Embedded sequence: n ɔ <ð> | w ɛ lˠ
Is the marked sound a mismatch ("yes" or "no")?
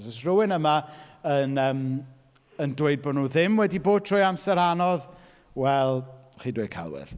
no